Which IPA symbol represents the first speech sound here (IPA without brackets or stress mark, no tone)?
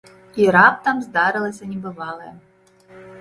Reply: i